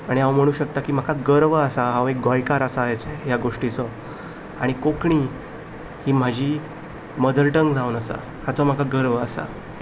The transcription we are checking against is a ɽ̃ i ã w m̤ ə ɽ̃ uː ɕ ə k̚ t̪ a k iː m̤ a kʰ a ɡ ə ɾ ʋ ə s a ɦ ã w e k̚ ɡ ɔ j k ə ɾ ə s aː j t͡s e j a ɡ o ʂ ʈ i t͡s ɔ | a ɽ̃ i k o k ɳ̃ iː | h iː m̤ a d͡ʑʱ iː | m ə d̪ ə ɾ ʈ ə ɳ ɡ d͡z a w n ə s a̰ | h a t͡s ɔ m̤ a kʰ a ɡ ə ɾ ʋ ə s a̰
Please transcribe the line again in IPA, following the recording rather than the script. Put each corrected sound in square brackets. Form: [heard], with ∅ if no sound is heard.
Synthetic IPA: a ɽ̃ i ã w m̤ ə ɽ̃ uː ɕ ə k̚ t̪ a k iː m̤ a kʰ a ɡ ə ɾ ʋ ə s a ɦ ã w e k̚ ɡ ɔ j k [a] ɾ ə s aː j t͡s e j a ɡ o ʂ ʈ i t͡s ɔ | a ɽ̃ i k o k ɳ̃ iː | h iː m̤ a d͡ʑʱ iː | m ə d̪ ə ɾ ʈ ə [ŋ] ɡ d͡z a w n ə s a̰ | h a t͡s ɔ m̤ a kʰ a ɡ ə ɾ ʋ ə s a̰